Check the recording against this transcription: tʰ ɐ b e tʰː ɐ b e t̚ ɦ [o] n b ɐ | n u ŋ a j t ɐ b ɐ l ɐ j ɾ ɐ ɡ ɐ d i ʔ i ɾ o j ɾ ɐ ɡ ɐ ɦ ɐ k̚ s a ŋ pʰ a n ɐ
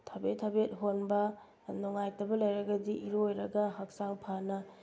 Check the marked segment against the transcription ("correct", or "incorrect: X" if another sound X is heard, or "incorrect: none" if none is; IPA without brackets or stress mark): correct